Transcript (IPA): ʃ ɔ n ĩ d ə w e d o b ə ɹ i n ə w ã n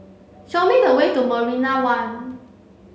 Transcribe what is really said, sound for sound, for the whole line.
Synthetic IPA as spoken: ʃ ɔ m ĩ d ə w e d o m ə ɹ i n a w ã n